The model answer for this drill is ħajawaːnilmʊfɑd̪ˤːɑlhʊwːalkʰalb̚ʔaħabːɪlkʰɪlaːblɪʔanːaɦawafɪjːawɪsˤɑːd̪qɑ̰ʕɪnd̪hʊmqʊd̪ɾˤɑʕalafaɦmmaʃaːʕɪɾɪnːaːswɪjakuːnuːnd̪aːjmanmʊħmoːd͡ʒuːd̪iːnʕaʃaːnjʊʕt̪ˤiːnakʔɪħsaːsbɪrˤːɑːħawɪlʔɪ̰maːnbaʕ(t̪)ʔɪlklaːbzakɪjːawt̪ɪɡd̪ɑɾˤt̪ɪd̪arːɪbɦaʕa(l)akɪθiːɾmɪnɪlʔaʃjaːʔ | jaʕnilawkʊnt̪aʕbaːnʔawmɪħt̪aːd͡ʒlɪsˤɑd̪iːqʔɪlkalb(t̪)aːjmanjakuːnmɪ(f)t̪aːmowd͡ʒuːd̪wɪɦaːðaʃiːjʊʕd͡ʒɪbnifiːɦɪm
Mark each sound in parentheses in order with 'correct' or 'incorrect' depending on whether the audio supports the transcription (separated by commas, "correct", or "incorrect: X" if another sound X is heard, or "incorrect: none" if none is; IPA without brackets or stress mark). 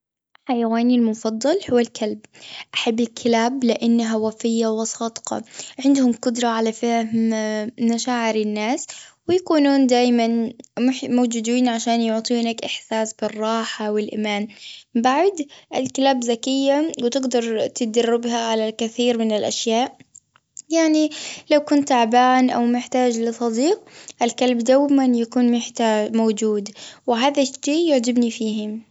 incorrect: d̪, correct, incorrect: d̪, incorrect: ħ